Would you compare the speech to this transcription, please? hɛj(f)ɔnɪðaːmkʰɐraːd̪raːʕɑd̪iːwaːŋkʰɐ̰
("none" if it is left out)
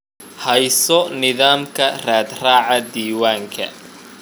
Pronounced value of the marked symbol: s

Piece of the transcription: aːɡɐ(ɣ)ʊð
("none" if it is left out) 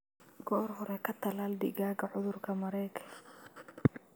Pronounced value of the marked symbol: ʕ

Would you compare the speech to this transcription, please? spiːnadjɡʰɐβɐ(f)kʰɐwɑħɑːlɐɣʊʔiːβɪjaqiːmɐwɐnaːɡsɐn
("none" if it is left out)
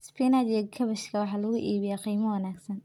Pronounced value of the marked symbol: ʃ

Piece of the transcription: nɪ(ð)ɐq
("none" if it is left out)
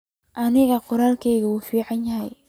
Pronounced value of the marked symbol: ɣ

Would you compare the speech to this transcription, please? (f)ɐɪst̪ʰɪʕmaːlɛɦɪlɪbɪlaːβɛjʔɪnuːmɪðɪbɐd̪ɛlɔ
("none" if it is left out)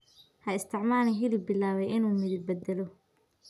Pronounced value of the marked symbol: h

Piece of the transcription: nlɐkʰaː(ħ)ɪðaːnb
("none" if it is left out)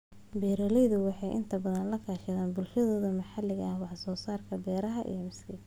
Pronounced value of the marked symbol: ʃ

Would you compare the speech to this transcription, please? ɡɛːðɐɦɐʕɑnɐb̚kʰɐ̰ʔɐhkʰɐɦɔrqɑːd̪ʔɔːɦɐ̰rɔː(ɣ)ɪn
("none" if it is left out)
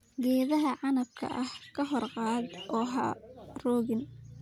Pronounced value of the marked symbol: ɣ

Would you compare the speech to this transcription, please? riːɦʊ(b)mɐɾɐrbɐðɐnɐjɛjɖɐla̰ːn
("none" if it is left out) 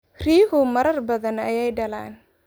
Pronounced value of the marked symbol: none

